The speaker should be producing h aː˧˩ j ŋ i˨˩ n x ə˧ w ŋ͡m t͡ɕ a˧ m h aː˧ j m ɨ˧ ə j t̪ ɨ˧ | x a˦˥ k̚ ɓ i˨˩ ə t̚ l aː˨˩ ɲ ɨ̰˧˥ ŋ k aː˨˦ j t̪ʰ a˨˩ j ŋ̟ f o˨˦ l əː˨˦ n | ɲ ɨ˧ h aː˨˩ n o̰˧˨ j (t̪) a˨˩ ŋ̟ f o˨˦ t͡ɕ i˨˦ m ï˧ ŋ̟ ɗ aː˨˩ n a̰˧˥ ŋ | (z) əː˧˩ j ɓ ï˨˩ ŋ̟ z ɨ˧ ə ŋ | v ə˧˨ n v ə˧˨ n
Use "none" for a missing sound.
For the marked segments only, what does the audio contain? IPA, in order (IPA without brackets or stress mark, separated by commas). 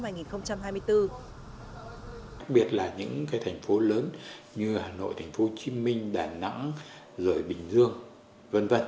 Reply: t̪ʰ, z